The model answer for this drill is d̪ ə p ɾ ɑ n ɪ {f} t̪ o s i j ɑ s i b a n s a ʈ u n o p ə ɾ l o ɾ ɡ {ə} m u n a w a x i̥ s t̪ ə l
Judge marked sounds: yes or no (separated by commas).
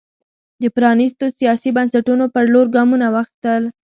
no, no